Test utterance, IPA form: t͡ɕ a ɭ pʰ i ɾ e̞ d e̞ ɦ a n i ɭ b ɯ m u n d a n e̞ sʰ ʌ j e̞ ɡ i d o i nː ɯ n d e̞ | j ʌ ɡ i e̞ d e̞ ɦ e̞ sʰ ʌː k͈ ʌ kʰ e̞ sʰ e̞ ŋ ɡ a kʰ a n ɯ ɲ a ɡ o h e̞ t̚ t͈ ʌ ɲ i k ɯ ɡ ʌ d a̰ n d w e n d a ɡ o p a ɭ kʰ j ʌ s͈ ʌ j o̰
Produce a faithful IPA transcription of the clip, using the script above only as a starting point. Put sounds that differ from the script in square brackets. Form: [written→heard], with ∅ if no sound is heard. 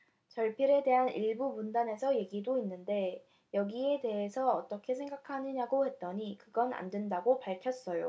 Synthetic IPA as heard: t͡ɕ [a→ʌ] ɭ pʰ i ɾ e̞ d e̞ ɦ a n i ɭ b [ɯ→u] m u n d a n e̞ sʰ ʌ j e̞ ɡ i d o i nː ɯ n d e̞ | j ʌ ɡ i e̞ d e̞ ɦ e̞ sʰ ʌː [k͈→t͈] ʌ kʰ e̞ sʰ e̞ ŋ ɡ a kʰ a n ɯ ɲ a ɡ o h e̞ t̚ t͈ ʌ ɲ i k ɯ ɡ ʌ [d→n] a̰ n d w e n d a ɡ o p a ɭ kʰ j ʌ s͈ ʌ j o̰